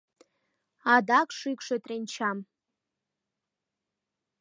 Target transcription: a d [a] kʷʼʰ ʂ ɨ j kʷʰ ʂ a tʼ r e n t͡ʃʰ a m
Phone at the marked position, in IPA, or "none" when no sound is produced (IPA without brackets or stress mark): a